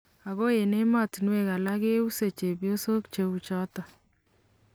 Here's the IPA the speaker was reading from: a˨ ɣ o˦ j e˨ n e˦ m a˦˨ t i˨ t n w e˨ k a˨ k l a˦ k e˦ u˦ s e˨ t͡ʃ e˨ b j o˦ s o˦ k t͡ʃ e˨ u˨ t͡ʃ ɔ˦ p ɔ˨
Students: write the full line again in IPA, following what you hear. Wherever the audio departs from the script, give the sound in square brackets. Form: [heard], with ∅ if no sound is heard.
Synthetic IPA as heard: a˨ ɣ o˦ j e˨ n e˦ m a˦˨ t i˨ [∅] n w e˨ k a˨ [∅] l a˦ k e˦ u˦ s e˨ t͡ʃ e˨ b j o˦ s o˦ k t͡ʃ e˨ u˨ t͡ʃ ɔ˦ [t] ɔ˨

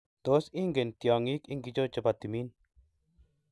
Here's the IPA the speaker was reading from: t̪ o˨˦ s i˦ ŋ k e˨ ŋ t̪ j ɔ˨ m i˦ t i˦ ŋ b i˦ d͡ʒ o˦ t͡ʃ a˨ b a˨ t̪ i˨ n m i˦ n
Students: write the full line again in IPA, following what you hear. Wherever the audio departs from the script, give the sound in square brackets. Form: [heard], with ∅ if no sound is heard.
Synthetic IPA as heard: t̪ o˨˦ s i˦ ŋ [ɡ] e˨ [n] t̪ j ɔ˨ [ŋ] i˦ [k] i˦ ŋ [ɡ] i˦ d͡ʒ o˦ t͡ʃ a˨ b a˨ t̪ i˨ [∅] m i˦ n

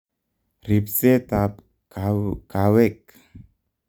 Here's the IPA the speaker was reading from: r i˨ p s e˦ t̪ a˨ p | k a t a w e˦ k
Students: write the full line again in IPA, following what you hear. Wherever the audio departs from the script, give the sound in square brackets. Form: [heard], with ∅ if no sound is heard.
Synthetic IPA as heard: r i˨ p s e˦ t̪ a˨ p | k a [k] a w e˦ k

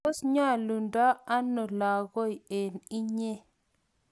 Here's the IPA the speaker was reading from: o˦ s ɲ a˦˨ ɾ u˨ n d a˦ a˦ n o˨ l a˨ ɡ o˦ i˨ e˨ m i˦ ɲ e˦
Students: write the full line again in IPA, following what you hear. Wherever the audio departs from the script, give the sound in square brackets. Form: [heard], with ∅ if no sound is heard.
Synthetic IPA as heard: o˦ s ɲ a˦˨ [l] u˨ n d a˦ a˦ n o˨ l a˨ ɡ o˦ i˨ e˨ [n] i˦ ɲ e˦

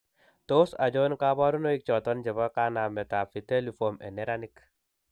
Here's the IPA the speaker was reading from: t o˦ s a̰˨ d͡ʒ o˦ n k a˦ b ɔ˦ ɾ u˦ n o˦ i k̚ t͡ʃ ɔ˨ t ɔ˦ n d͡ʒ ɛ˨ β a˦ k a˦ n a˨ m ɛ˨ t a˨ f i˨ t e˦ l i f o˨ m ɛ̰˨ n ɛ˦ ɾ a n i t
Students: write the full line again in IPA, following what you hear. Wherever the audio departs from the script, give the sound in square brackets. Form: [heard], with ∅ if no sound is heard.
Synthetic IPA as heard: t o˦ s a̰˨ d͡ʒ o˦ n k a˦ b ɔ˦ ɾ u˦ n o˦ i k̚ t͡ʃ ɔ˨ t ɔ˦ n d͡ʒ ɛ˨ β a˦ k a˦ n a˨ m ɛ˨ t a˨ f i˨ t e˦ l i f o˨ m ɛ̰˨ n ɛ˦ ɾ a n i [k]

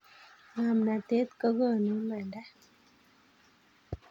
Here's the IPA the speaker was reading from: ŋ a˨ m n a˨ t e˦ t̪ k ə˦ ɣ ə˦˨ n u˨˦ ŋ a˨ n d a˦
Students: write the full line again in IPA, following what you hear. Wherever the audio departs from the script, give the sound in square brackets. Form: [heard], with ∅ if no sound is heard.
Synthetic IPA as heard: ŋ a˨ m n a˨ t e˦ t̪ k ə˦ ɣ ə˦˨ n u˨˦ [m] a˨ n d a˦

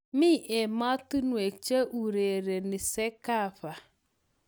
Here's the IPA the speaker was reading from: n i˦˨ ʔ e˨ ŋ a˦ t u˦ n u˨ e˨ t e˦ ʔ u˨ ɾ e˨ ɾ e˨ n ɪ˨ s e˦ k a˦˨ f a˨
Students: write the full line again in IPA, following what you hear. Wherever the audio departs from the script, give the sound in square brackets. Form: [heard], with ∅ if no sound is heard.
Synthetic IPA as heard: [m] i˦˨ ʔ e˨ [m] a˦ t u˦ n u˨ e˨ [t͡ʃ] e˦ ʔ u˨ ɾ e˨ ɾ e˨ n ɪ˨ s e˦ k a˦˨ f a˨

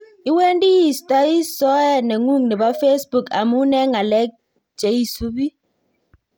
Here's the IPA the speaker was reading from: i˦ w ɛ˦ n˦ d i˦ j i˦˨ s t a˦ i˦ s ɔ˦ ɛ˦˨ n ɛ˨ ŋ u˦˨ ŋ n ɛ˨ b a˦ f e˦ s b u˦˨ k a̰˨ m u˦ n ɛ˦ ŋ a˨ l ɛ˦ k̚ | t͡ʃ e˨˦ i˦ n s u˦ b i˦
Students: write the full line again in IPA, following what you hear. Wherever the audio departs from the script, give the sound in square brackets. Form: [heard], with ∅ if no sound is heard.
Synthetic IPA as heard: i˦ w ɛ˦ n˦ d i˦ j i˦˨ s t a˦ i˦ s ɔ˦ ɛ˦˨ n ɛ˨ ŋ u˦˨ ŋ n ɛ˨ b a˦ f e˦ s b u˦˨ k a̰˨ m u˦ n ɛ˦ ŋ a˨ l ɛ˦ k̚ | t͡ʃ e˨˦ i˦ [∅] s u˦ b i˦

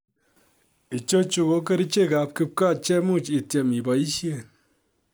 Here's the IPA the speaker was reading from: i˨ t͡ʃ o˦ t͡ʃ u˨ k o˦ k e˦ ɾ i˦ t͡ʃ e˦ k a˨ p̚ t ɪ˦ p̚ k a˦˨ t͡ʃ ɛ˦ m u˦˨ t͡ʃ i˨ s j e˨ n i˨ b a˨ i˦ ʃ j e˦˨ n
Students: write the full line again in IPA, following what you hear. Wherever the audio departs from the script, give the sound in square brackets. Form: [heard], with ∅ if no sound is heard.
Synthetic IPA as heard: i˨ t͡ʃ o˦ t͡ʃ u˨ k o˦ k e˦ ɾ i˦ t͡ʃ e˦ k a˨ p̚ [k] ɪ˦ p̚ k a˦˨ t͡ʃ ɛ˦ m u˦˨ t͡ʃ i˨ [t] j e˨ [m] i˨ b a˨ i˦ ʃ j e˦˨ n

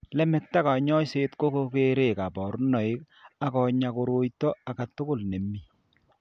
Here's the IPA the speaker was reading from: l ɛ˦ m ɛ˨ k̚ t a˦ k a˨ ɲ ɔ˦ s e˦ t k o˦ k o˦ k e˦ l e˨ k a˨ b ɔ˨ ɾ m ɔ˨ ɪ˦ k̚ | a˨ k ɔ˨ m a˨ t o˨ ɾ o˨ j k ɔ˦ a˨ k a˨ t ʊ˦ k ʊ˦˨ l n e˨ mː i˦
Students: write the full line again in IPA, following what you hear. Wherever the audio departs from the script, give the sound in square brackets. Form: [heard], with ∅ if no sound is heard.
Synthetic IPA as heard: l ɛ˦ m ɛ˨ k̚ t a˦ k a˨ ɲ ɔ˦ s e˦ t k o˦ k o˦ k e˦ [ɾ] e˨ k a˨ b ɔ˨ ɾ [n] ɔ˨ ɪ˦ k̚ | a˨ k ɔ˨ [ɲ] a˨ [k] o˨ ɾ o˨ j [t] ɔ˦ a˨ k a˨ t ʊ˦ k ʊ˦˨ l n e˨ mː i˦

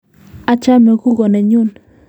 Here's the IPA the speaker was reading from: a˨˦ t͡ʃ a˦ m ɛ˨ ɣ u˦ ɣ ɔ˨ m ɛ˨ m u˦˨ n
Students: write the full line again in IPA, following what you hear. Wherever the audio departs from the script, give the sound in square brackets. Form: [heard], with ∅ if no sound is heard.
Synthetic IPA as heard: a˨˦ t͡ʃ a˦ m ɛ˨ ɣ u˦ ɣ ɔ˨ [n] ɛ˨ [ɲ] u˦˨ n

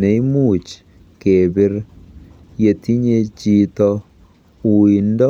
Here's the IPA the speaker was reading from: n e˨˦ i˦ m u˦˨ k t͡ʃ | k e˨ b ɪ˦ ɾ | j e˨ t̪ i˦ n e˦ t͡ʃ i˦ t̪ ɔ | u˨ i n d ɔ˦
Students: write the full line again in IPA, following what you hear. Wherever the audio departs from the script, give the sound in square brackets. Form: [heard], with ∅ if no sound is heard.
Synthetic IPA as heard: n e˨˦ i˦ m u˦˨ [∅] t͡ʃ | k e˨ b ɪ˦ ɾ | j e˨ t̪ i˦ [ɲ] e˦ t͡ʃ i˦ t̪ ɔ | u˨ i n d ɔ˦

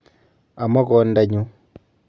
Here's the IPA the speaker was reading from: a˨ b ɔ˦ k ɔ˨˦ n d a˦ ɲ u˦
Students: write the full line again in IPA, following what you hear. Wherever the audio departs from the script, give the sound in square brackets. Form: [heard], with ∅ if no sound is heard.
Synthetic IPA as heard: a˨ [m] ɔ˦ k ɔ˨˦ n d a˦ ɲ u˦

